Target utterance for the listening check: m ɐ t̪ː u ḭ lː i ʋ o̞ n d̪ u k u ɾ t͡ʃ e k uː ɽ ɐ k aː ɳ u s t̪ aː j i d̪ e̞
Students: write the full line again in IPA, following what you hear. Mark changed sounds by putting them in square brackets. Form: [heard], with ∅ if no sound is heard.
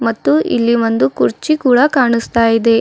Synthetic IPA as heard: m ɐ t̪ː u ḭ lː i ʋ o̞ n d̪ u k u ɾ t͡ʃ [i] k uː ɽ ɐ k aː ɳ u s t̪ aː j i d̪ e̞